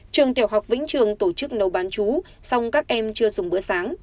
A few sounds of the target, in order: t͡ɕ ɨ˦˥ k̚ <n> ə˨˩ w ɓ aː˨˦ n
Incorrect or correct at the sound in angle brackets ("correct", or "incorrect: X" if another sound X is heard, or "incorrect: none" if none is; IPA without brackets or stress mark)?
correct